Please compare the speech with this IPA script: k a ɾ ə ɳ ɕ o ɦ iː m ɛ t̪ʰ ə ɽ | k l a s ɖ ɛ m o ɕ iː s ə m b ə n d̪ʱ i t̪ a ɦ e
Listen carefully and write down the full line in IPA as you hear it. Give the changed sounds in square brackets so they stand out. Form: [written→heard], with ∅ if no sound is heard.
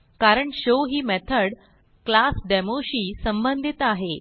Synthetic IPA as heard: k a ɾ ə ɳ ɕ o ɦ iː m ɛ t̪ʰ ə ɽ | k l a s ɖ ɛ m o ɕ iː s ə m b ə n d̪ʱ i t̪ a ɦ e